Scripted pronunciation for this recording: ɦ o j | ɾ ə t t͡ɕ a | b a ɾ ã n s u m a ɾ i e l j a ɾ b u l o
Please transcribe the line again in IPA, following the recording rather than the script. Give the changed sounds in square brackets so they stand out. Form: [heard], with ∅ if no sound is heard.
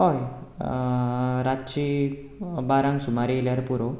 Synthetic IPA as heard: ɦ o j | ɾ [a] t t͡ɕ [i] | b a ɾ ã [ŋ] s u m a ɾ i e l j a ɾ [p] u [ɾ] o